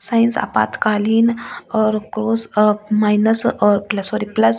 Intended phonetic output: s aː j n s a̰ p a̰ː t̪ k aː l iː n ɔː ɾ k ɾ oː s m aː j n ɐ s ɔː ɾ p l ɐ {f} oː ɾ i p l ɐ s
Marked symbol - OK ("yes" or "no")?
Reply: no